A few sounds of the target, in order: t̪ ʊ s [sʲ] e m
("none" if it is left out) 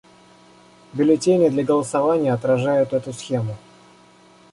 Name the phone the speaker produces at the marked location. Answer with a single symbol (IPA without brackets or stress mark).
xʲ